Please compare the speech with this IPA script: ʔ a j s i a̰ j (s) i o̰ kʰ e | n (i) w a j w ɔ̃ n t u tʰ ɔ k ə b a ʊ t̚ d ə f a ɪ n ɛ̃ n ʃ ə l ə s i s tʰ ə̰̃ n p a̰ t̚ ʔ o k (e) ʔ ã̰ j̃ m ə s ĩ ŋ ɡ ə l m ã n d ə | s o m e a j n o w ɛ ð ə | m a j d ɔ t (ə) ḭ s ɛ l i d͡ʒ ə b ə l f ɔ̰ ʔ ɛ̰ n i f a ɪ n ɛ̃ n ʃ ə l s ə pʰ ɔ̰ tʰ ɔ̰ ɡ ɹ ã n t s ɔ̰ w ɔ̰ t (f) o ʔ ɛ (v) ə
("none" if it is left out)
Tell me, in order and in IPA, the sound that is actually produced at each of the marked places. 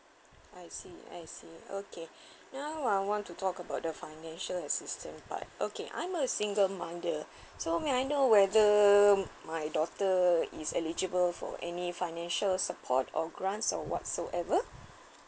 s, a, e, ə, s, v

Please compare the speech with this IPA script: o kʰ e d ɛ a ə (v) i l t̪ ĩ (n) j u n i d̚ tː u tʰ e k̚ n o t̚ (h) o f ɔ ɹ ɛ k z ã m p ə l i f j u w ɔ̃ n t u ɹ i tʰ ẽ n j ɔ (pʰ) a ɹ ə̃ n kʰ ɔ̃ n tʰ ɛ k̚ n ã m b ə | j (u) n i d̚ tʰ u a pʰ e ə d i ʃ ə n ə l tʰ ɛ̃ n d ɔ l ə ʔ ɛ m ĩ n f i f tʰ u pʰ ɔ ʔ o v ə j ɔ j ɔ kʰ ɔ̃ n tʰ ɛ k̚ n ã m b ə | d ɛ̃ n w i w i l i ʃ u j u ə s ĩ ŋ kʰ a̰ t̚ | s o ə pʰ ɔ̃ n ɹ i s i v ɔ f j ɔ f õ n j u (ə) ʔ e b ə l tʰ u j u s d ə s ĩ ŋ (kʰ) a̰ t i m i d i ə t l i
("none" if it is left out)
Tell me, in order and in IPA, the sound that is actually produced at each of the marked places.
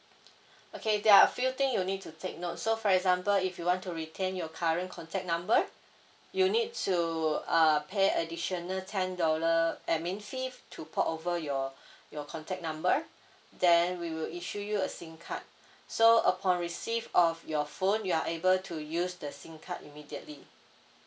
f, ŋ, s, kʰ, u, a, kʰ

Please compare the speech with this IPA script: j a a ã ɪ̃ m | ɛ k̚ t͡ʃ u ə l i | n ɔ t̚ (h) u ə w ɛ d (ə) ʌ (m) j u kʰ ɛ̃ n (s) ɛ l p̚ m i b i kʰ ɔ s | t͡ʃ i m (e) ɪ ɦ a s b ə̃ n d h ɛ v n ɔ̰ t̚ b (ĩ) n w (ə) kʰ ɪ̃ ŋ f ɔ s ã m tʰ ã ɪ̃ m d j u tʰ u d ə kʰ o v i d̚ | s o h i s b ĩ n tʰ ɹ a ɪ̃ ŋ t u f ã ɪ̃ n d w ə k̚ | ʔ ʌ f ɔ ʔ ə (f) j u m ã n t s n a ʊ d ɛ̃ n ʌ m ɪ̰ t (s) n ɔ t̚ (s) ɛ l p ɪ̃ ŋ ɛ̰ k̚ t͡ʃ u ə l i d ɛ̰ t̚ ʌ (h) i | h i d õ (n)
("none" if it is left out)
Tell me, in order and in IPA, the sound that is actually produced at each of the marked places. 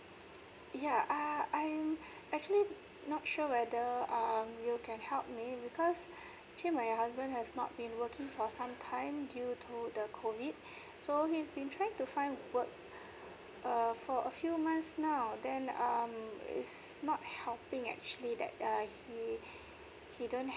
ʃ, ə, m, h, a, ĩ, ə, f, s, h, h, n

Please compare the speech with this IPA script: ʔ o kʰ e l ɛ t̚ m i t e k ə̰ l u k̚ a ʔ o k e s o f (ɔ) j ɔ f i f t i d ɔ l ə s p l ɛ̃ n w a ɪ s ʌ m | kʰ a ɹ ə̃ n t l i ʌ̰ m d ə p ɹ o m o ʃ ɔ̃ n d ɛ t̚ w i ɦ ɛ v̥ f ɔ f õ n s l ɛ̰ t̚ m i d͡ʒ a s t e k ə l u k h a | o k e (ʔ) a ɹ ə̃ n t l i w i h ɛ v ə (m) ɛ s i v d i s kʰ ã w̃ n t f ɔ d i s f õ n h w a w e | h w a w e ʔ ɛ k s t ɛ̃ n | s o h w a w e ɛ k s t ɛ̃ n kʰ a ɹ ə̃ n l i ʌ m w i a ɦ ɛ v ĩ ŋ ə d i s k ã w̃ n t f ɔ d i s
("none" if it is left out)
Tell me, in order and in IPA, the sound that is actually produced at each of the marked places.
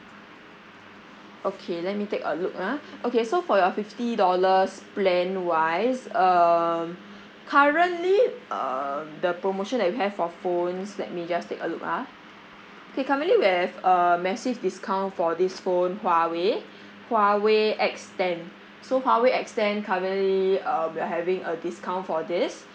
ɔ, k, m

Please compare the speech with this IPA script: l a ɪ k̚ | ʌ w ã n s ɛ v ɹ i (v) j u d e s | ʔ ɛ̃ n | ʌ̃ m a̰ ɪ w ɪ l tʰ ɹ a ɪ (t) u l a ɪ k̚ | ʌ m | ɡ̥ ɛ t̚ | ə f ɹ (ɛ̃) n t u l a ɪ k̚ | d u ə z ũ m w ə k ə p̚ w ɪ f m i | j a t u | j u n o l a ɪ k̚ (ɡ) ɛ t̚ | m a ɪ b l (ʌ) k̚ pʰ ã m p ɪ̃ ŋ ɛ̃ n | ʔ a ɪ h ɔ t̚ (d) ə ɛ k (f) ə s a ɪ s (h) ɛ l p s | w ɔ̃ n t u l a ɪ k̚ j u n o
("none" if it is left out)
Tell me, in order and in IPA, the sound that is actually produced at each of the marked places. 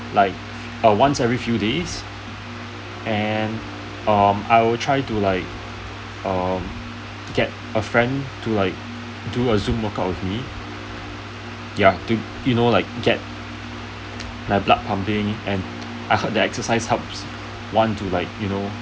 f, t, ɛ̃, ɡ, a, d, s, h

